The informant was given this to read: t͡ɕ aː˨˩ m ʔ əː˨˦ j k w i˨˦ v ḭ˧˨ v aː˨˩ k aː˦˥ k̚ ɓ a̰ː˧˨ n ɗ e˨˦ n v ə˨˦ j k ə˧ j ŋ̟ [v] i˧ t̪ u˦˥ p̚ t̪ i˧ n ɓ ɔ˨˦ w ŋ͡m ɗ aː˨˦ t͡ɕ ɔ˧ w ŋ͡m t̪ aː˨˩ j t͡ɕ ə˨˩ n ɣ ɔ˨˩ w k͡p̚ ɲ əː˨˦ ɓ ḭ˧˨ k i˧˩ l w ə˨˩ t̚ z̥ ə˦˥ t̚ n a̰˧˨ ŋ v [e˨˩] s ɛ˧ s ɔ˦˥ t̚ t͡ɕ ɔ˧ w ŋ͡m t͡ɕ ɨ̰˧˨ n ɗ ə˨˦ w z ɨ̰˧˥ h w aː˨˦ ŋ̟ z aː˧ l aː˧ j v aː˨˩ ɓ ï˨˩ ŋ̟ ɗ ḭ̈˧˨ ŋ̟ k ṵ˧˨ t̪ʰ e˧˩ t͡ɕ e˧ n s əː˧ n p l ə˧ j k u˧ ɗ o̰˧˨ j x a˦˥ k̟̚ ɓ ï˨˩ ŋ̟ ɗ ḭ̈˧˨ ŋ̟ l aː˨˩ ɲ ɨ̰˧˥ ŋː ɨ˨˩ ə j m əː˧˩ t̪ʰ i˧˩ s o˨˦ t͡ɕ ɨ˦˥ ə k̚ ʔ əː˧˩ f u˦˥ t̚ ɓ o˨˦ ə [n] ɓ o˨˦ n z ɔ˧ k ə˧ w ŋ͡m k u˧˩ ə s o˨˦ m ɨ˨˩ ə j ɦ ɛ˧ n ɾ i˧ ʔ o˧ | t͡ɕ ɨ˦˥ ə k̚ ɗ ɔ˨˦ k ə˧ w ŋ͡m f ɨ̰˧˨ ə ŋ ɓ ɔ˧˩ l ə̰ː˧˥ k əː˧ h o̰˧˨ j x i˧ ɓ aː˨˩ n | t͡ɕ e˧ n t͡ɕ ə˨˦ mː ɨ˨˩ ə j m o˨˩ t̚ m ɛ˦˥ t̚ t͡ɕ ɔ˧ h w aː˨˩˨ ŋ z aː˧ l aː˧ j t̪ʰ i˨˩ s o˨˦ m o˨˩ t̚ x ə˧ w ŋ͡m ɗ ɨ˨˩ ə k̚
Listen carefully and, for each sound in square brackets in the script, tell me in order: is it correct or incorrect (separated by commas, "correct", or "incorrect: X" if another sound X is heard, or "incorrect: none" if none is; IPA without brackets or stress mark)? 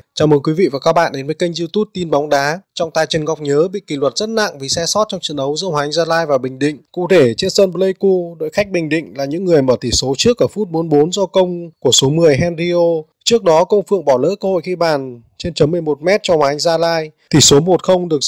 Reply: incorrect: z, incorrect: i˨˩, correct